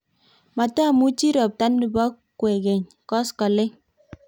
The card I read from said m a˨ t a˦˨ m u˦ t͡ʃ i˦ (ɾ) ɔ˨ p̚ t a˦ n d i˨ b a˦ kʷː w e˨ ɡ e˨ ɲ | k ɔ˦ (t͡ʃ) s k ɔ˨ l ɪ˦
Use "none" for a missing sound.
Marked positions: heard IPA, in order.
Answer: ɾ, none

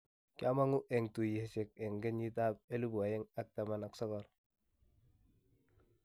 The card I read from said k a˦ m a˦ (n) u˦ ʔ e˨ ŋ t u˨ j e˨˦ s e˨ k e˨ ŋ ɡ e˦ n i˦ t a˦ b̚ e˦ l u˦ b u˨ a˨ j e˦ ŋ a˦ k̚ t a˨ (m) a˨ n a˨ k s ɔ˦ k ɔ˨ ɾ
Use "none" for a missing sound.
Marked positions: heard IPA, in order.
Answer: ŋ, m

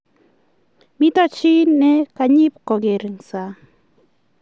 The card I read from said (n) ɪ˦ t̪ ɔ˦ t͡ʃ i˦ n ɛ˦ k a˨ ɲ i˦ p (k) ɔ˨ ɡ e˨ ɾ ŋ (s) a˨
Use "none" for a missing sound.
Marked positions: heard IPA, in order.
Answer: m, k, s

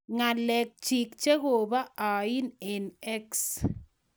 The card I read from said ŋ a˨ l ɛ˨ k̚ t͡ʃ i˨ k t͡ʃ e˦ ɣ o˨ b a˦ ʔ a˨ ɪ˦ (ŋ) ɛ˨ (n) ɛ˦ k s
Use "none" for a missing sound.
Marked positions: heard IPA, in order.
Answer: n, n

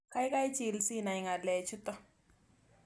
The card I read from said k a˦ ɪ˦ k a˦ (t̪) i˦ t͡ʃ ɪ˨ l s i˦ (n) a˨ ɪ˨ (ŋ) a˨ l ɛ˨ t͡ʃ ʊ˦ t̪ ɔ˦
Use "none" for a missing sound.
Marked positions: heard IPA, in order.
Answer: none, n, ŋ

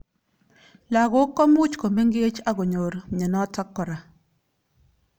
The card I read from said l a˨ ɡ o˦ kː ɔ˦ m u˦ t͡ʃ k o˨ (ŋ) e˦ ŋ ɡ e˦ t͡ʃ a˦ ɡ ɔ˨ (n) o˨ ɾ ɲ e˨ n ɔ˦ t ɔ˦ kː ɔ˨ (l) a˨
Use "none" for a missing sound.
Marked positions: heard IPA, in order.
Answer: m, ɲ, ɾ

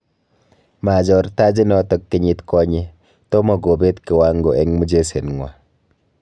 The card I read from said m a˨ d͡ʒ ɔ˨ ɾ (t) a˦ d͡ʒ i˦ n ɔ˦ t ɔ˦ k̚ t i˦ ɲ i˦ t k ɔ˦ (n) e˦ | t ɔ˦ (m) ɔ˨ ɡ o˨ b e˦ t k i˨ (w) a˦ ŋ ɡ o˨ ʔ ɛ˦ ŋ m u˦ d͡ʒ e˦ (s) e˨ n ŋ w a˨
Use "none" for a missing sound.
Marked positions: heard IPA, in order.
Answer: t, ɲ, m, w, s

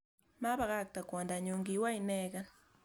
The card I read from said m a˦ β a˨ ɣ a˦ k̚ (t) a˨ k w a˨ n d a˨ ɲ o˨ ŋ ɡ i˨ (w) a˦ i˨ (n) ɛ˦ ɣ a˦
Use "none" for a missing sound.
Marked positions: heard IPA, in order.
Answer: t, w, n

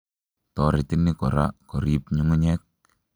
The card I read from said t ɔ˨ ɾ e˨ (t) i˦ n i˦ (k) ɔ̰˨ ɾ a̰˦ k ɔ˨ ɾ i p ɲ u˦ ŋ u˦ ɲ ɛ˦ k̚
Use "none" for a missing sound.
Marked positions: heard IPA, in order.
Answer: t, k

